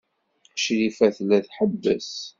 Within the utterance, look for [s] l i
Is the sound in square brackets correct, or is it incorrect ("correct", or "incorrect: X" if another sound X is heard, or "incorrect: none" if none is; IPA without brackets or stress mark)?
incorrect: ʃ